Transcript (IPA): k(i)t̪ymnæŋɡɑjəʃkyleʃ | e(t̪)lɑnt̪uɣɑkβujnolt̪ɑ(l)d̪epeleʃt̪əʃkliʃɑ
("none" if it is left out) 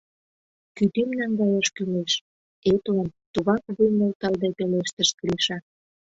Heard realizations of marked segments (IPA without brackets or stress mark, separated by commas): y, t̪, l